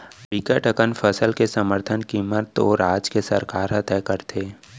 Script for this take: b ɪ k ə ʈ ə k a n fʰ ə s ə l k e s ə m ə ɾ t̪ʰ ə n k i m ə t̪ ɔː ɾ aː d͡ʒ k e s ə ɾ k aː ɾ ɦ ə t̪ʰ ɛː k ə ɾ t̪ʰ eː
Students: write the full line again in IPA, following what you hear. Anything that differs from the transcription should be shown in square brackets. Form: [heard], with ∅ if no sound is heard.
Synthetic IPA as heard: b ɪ k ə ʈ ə k [ə] n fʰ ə s ə l k e s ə m ə ɾ t̪ʰ ə n k i m ə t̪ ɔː ɾ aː d͡ʒ k e s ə ɾ k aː ɾ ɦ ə [t̪] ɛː k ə ɾ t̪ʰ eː